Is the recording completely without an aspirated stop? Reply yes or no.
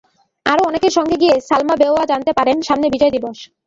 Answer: yes